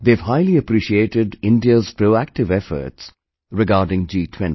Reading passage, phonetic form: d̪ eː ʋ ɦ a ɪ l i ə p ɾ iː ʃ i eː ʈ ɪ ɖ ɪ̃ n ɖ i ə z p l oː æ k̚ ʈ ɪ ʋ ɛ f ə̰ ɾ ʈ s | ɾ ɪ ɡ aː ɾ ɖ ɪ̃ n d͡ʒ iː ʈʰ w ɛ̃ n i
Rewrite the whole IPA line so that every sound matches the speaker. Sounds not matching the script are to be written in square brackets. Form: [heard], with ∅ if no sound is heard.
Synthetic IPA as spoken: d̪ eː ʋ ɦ a ɪ l i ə p ɾ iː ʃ i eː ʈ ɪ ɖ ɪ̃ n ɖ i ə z p [ɾ] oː æ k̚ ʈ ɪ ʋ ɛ f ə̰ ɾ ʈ s | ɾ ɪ ɡ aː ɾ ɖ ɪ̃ [ŋ] d͡ʒ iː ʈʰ w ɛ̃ n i